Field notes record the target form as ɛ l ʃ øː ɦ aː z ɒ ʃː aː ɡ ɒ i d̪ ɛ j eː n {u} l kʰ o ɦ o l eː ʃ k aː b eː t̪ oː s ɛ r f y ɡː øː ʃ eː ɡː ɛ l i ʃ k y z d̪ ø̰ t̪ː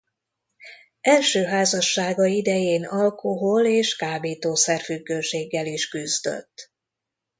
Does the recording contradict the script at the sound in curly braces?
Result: yes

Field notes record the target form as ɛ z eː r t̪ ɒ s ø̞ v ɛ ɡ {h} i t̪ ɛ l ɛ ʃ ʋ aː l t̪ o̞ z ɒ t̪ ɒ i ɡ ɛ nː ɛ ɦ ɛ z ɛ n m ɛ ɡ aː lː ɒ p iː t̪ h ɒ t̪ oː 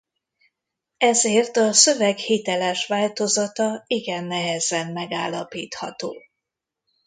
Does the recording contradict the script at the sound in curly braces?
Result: no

